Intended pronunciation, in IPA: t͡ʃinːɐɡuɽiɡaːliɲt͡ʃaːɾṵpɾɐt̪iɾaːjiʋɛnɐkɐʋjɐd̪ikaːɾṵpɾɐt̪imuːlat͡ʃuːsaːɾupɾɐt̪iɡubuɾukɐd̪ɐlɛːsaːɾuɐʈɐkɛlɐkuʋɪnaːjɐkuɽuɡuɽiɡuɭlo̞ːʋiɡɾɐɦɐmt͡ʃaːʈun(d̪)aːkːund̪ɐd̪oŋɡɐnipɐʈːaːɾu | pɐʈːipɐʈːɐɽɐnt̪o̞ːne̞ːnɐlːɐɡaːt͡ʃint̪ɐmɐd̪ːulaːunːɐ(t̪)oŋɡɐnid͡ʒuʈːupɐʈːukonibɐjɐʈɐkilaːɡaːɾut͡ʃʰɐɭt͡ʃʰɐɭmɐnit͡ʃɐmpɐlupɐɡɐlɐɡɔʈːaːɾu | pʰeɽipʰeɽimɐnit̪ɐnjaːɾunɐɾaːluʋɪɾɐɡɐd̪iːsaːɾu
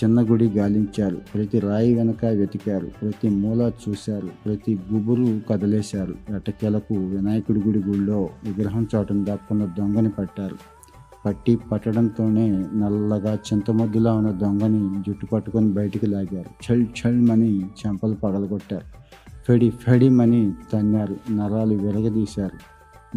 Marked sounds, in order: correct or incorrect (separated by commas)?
correct, incorrect